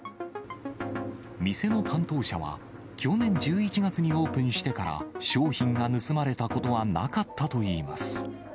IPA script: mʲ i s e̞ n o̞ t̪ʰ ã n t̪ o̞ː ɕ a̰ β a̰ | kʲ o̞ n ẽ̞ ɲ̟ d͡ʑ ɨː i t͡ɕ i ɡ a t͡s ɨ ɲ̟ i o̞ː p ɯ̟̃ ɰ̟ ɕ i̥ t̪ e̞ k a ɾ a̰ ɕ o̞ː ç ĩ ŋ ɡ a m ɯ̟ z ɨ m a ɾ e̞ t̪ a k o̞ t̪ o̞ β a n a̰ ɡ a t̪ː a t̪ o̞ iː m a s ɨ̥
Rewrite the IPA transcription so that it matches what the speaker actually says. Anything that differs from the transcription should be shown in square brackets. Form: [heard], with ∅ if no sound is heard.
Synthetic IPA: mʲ i s e̞ n o̞ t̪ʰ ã n t̪ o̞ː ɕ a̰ β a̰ | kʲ o̞ n ẽ̞ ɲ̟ d͡ʑ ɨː i t͡ɕ i ɡ a t͡s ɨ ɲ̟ i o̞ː p ɯ̟̃ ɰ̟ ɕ i̥ t̪ e̞ k a ɾ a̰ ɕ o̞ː ç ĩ ŋ ɡ a [n] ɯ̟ [s] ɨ m a ɾ e̞ t̪ a k o̞ t̪ o̞ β a n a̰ [k] a t̪ː a t̪ o̞ iː m a s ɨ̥